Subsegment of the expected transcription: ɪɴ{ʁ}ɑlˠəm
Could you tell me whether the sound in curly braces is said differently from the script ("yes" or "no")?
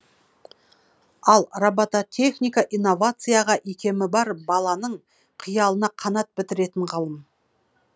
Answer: no